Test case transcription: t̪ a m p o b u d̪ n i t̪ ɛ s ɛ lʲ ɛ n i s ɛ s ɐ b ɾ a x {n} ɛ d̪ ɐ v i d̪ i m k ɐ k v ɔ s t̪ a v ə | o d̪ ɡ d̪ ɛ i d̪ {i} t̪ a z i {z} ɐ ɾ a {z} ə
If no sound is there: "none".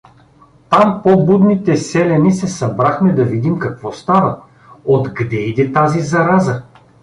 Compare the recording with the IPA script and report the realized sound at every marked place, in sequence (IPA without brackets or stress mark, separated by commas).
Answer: m, ɛ, z, z